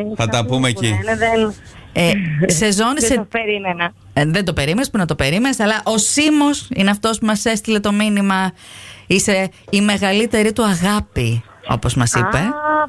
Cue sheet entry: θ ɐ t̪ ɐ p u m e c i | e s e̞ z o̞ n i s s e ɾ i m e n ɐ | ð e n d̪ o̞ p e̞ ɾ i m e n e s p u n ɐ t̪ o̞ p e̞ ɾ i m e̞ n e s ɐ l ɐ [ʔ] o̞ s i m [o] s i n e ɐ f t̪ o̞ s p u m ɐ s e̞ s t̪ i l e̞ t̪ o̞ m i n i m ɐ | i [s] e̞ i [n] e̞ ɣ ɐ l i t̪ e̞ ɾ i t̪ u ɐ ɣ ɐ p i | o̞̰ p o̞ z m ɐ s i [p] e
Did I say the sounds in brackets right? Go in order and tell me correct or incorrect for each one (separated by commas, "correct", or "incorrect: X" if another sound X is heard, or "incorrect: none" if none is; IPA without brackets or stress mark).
correct, correct, correct, incorrect: m, correct